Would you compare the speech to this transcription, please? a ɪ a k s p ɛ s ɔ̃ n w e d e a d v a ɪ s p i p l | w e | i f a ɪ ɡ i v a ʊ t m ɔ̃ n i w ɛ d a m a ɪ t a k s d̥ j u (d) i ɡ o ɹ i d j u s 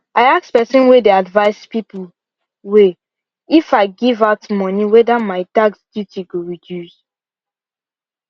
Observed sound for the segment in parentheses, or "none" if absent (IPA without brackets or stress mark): t